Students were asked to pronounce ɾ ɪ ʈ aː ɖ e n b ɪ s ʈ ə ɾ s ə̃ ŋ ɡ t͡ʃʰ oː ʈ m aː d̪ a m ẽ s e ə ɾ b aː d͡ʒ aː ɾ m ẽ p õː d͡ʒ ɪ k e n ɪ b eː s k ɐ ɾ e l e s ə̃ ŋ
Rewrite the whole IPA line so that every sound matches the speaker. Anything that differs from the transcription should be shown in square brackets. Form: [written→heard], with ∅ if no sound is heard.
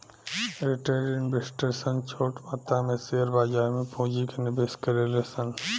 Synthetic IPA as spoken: ɾ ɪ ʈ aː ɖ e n b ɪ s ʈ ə ɾ s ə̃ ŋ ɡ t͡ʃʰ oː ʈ m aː [d̪→t̪] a m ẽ s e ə ɾ b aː d͡ʒ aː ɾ m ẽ p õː d͡ʒ [ɪ→i] k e n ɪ b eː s k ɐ ɾ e l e s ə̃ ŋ